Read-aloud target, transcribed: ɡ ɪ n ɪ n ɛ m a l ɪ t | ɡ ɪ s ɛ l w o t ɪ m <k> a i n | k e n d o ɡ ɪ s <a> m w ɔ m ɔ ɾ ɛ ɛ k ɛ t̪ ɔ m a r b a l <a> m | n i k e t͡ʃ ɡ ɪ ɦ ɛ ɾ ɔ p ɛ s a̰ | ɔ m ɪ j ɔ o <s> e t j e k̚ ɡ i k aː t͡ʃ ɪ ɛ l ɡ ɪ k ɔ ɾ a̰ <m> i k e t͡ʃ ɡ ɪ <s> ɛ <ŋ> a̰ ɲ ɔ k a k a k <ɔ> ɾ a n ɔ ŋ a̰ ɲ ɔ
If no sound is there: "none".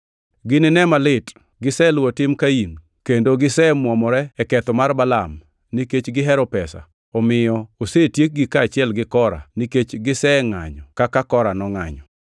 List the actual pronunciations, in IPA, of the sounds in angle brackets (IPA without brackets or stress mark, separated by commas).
k, ɛ, a, s, n, s, ŋ, ɔ